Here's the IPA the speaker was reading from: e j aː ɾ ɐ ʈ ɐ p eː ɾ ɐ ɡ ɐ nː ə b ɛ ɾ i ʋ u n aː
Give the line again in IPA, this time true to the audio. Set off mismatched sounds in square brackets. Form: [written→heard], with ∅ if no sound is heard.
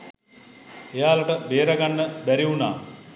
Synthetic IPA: e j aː [ɾ→l] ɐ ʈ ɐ [p→b] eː ɾ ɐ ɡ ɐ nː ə b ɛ ɾ i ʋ u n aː